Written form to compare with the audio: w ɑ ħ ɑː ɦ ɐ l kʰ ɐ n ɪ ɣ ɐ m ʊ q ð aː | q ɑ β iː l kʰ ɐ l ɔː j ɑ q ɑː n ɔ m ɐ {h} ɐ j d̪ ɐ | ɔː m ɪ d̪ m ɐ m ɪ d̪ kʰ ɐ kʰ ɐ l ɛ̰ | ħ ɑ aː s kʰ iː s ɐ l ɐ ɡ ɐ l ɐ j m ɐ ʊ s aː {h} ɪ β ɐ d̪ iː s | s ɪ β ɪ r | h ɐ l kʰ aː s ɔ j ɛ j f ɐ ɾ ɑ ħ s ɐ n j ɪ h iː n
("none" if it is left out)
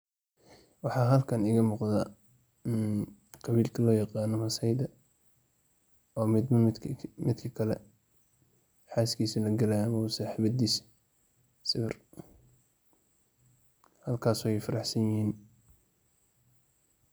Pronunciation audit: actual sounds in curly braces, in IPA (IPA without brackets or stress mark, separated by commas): s, ħ